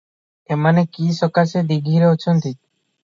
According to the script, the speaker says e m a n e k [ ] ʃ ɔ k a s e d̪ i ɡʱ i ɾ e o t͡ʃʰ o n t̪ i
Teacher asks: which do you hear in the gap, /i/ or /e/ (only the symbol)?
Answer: i